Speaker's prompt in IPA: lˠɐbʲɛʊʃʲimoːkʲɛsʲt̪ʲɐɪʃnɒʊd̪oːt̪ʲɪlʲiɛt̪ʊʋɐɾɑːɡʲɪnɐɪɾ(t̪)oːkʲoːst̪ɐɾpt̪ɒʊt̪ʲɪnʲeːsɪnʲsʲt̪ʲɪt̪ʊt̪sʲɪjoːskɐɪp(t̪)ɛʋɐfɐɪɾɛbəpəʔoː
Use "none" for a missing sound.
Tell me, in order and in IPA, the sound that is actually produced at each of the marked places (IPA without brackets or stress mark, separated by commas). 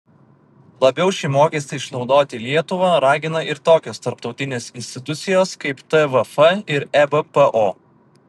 t̪, t̪